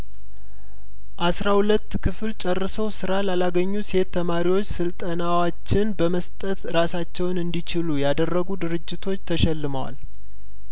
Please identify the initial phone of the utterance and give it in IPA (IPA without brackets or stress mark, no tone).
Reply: ʔ